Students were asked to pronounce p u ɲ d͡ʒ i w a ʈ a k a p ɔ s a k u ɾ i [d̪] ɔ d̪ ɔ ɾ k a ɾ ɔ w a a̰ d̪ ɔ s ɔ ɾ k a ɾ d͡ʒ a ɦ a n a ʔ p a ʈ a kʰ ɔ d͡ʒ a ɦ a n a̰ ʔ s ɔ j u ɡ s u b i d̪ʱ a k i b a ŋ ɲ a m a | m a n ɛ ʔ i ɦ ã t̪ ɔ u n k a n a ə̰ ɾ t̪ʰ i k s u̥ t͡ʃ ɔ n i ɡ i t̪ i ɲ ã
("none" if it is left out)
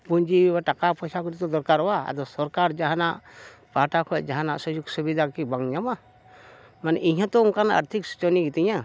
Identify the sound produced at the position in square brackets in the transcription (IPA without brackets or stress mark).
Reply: t̪